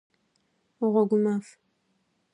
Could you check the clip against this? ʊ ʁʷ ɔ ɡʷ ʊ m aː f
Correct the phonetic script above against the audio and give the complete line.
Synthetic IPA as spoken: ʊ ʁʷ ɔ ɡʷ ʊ m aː f